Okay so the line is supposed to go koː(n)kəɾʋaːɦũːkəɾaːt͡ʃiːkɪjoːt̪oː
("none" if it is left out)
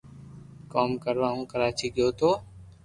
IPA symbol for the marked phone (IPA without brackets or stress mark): m